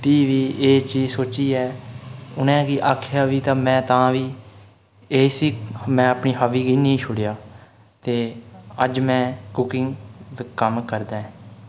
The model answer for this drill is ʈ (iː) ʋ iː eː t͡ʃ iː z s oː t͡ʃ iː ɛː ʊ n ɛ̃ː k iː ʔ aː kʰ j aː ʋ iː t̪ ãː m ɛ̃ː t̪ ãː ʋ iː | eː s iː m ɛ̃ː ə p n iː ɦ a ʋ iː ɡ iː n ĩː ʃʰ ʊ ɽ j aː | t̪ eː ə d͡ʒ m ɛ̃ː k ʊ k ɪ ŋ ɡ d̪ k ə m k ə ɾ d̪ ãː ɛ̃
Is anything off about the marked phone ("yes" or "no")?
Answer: no